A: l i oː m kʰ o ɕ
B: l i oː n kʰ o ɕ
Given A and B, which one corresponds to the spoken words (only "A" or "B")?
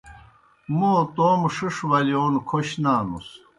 B